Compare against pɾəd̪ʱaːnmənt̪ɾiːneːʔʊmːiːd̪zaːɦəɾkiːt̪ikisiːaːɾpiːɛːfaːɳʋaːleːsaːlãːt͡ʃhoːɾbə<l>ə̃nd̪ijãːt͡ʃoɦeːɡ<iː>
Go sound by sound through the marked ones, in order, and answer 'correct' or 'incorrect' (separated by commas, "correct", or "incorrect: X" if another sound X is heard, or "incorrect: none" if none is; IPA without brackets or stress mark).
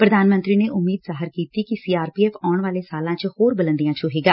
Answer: correct, incorrect: aː